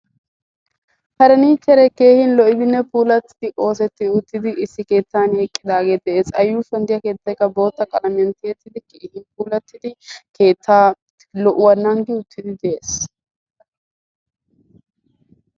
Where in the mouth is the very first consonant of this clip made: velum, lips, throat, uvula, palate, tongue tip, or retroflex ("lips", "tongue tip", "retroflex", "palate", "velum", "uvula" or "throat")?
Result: throat